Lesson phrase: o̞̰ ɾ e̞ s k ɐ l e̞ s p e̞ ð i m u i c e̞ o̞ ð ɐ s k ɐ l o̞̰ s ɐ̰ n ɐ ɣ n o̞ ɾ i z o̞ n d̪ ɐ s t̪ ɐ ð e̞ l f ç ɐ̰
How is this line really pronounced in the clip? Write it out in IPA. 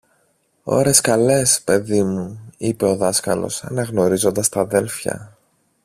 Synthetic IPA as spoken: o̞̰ ɾ e̞ s k ɐ l e̞ s p e̞ ð i m u i p e̞ o̞ ð ɐ s k ɐ l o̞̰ s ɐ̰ n ɐ ɣ n o̞ ɾ i z o̞ n d̪ ɐ s t̪ ɐ ð e̞ l f ç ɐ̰